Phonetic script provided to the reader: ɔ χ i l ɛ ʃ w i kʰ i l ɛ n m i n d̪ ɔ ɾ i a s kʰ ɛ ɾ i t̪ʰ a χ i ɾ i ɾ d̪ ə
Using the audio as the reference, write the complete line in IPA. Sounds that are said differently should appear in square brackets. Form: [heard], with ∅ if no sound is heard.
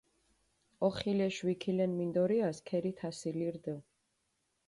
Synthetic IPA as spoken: ɔ χ i l ɛ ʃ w i kʰ i l ɛ n m i n d̪ ɔ ɾ i a s kʰ ɛ ɾ i t̪ʰ a [s] i [l] i ɾ d̪ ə